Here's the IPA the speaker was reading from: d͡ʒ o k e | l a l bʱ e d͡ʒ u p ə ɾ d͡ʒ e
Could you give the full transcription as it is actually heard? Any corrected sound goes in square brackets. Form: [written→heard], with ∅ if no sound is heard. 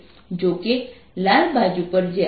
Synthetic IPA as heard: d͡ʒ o k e | l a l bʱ [e→a] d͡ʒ u p ə ɾ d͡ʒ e